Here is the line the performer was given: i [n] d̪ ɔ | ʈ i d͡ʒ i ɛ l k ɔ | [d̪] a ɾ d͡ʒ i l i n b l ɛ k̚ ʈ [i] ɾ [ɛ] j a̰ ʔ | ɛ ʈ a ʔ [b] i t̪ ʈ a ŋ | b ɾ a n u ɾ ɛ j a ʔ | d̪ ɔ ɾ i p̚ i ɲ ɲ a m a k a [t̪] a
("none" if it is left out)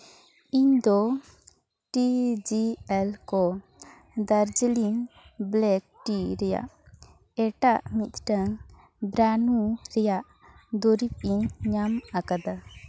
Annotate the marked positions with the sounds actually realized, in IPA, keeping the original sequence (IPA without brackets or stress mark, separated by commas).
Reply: ɲ, d̪, i, ɛ, m, d̪